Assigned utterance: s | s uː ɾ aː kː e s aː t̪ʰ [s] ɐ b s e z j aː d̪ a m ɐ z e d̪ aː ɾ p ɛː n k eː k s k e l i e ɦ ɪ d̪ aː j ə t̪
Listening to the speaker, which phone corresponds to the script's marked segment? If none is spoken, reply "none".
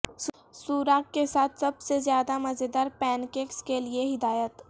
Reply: s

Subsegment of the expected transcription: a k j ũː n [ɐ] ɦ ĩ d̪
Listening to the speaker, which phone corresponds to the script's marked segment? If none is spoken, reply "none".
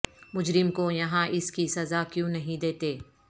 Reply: ɐ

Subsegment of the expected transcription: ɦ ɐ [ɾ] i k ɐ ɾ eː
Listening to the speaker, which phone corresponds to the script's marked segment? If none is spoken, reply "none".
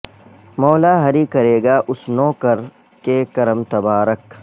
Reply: ɾ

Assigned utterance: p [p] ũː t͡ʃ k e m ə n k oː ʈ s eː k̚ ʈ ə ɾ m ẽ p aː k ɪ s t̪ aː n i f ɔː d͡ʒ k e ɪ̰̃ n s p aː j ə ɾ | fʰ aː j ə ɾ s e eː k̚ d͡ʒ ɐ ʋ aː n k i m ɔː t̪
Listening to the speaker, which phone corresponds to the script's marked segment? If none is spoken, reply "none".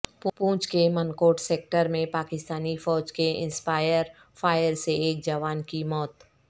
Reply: p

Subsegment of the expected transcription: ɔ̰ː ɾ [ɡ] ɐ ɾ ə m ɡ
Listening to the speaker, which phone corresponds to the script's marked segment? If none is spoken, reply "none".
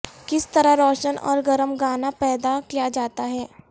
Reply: ɡ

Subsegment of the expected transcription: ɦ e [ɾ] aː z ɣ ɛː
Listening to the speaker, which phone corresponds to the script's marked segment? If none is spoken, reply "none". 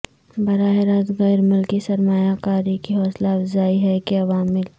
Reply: ɾ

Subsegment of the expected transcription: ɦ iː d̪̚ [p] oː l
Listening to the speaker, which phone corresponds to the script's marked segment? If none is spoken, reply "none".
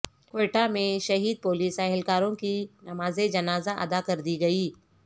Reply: p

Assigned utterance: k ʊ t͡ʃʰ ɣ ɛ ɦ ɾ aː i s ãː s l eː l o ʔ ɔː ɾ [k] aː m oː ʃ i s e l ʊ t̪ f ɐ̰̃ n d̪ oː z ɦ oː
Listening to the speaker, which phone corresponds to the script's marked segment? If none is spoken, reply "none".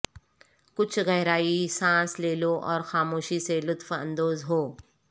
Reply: x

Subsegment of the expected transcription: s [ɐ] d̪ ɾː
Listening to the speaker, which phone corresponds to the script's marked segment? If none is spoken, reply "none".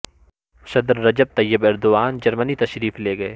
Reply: ɐ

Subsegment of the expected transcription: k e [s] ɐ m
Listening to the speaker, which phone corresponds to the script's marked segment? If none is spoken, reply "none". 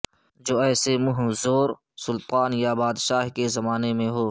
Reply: z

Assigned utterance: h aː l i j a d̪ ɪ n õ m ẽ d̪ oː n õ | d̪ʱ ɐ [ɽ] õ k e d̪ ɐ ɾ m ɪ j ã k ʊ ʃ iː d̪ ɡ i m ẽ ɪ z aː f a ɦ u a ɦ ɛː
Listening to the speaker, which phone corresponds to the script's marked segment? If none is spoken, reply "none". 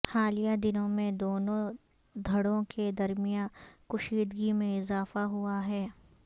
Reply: ɽ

